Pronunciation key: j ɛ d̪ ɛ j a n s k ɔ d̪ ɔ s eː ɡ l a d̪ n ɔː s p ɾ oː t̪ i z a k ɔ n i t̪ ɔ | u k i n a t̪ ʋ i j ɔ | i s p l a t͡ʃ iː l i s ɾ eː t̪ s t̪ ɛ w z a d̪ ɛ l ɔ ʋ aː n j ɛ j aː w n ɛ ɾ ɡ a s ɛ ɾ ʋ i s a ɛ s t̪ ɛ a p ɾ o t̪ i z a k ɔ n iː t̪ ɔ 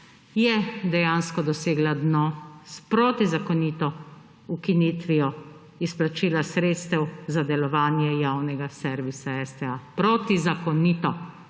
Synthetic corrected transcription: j ɛ d̪ ɛ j a n s k ɔ d̪ ɔ s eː ɡ l a d̪ n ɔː s p ɾ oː t̪ i z a k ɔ n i t̪ ɔ | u k i n i t̪ ʋ i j ɔ | i s p l a t͡ʃ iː l a s ɾ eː t̪ s t̪ ɛ w z a d̪ ɛ l ɔ ʋ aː n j ɛ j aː w n ɛ ɡ a s ɛ ɾ ʋ i s a ɛ s t̪ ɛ a p ɾ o t̪ i z a k ɔ n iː t̪ ɔ

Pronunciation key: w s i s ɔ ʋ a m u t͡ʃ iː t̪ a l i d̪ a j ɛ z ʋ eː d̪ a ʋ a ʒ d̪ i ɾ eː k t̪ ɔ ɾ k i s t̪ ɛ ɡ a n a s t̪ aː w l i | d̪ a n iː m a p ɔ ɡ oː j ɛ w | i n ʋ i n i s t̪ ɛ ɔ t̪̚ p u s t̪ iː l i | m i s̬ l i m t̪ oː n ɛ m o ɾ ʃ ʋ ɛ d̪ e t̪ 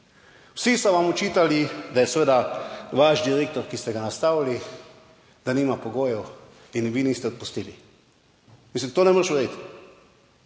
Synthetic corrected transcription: w s i s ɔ ʋ a m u t͡ʃ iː t̪ a l i d̪ a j ɛ s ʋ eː d̪ a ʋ a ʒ d̪ i ɾ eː k t̪ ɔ ɾ k i s t̪ ɛ ɡ a n a s t̪ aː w l i | d̪ a n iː m a p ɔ ɡ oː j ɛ w | i n ʋ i n i s t̪ ɛ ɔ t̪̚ p u s t̪ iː l i | m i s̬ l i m t̪ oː n ɛ m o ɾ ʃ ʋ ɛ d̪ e t̪

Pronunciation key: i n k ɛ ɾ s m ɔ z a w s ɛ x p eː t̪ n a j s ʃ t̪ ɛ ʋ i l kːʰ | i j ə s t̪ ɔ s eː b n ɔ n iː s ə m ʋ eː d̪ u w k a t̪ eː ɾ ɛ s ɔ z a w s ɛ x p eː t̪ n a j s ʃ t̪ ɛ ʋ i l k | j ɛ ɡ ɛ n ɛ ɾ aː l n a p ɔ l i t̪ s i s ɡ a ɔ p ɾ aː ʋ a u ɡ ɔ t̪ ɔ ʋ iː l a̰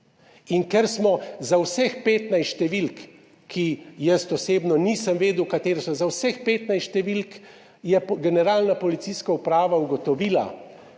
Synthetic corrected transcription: i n k ɛ ɾ s m ɔ z a w s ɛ x p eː t̪ n a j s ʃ t̪ ɛ ʋ i l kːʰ | i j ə s t̪ ɔ s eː b n ɔ n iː s ə m ʋ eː d̪ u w k a t̪ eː ɾ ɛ s ɔ z a w s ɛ x p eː t̪ n a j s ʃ t̪ ɛ ʋ i l k | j ɛ ɡ ɛ n ɛ ɾ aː l n a p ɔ l i t̪ s i s k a u p ɾ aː ʋ a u ɡ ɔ t̪ ɔ ʋ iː l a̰

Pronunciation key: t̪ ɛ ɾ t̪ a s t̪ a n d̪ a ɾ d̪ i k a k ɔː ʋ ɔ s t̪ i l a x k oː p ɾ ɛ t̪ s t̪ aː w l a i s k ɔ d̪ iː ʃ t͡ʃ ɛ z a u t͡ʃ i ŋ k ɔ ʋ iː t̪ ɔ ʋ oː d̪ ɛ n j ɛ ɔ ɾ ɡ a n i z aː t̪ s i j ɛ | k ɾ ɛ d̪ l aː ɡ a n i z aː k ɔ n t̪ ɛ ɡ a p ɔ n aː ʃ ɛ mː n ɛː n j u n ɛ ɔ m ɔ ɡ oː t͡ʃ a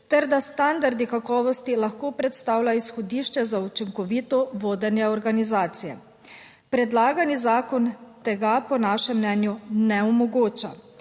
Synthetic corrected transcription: t̪ ɛ ɾ d̪ a s t̪ a n d̪ a ɾ d̪ i k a k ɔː ʋ ɔ s t̪ i l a x k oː p ɾ ɛ t̪ s t̪ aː w l a i s x ɔ d̪ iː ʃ t͡ʃ ɛ z a u t͡ʃ i ŋ k ɔ ʋ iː t̪ ɔ ʋ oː d̪ ɛ n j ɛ ɔ ɾ ɡ a n i z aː t̪ s i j ɛ | p ɾ ɛ d̪ l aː ɡ a n i z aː k ɔ n t̪ ɛ ɡ a p ɔ n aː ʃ ɛ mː n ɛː n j u n ɛ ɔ m ɔ ɡ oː t͡ʃ a

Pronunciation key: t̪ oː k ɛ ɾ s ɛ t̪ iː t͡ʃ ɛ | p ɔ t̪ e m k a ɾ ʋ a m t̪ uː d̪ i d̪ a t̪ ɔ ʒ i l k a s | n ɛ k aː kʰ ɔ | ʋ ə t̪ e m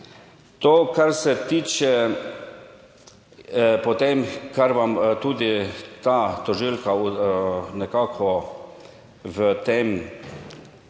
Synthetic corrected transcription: t̪ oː k a ɾ s ɛ t̪ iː t͡ʃ ɛ | p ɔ t̪ e m k a ɾ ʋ a m t̪ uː d̪ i t̪ a t̪ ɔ ʒ i l k a | n ɛ k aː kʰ ɔ | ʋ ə t̪ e m

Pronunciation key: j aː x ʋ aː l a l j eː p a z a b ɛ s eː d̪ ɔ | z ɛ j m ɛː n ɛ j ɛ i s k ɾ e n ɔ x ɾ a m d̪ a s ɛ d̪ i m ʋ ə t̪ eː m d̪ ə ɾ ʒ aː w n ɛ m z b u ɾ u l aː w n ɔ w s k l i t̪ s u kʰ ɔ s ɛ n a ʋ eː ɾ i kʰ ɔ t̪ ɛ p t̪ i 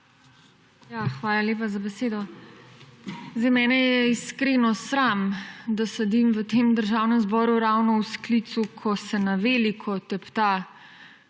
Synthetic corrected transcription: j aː x ʋ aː l a l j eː p a z a b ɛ s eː d̪ ɔ | z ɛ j m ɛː n ɛ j ɛ i s k ɾ e n ɔ s ɾ a m d̪ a s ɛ d̪ i m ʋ ə t̪ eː m d̪ ə ɾ ʒ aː w n ɛ m z b ɔ ɾ u ɾ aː w n ɔ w s k l i t̪ s u kʰ ɔ s ɛ n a ʋ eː l i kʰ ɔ t̪ ɛ p t̪ a

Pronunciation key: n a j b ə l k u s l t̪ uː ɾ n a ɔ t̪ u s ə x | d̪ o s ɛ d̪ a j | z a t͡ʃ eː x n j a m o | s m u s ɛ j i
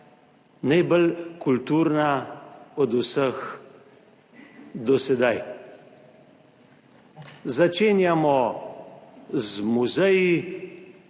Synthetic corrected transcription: n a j b ə l k u l t̪ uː ɾ n a ɔ d̪ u s ə x | d̪ ɔ s ɛ d̪ a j | z a t͡ʃ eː n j a m ɔ | z m u z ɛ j i

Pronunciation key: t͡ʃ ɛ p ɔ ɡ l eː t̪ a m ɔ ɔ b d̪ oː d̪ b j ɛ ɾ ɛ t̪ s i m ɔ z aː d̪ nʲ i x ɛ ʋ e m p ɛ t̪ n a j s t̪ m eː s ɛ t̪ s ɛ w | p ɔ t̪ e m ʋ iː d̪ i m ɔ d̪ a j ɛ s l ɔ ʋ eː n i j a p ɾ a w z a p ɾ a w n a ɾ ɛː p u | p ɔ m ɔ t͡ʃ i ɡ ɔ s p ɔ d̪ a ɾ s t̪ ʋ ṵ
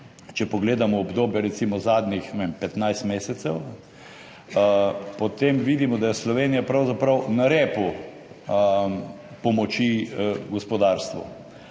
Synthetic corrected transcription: t͡ʃ ɛ p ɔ ɡ l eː d̪ a m ɔ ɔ b d̪ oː b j ɛ ɾ ɛ t̪ s i m ɔ z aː d̪ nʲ i x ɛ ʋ e m p ɛ t̪ n a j s t̪ m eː s ɛ t̪ s ɛ w | p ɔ t̪ e m ʋ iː d̪ i m ɔ d̪ a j ɛ s l ɔ ʋ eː n i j a p ɾ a w z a p ɾ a w n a ɾ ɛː p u | p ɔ m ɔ t͡ʃ i ɡ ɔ s p ɔ d̪ a ɾ s t̪ ʋ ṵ

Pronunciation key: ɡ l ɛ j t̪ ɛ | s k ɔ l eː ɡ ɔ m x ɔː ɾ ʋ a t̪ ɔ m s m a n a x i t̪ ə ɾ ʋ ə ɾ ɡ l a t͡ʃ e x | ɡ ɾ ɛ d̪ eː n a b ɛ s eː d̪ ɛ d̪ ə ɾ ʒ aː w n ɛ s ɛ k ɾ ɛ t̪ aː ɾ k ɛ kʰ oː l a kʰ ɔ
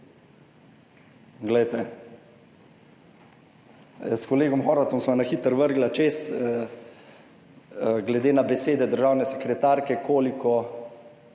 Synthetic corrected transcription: ɡ l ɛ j t̪ ɛ | s k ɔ l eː ɡ ɔ m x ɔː ɾ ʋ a t̪ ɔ m s m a n a x i t̪ ə ɾ ʋ ə ɾ ɡ l a t͡ʃ e s | ɡ l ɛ d̪ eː n a b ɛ s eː d̪ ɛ d̪ ə ɾ ʒ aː w n ɛ s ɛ k ɾ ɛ t̪ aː ɾ k ɛ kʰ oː l i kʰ ɔ

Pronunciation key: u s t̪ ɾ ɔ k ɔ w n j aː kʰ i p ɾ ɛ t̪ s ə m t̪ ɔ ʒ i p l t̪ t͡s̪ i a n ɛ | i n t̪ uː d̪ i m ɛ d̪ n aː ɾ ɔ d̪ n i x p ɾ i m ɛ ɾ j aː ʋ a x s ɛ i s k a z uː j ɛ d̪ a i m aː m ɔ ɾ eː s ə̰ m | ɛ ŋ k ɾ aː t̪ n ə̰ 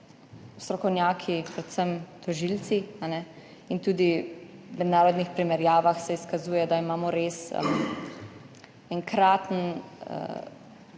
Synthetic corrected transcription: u s t̪ ɾ ɔ k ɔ w n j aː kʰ i p ɾ ɛ t̪ s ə m t̪ ɔ ʒ i l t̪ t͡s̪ i a n ɛ | i n t̪ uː d̪ i m ɛ d̪ n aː ɾ ɔ d̪ n i x p ɾ i m ɛ ɾ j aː ʋ a x s ɛ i s k a z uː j ɛ d̪ a i m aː m ɔ ɾ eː s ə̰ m | ɛ ŋ k ɾ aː t̪ n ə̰

